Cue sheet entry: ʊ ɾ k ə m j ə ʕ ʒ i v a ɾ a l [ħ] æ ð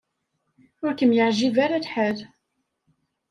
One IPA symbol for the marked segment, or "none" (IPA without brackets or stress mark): ħ